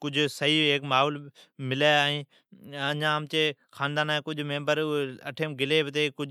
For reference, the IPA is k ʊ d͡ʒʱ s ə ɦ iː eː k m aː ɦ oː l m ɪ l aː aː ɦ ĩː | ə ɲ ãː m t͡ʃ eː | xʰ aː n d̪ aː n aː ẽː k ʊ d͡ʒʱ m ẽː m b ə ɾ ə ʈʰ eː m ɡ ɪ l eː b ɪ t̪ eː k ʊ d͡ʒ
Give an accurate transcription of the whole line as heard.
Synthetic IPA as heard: k ʊ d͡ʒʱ s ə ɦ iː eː k m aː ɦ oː l m ɪ l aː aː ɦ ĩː | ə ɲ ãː m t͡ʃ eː | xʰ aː n d̪ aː n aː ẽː k ʊ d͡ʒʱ m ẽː m b ə ɾ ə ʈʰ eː m ɡ ɪ l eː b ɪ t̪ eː k ʊ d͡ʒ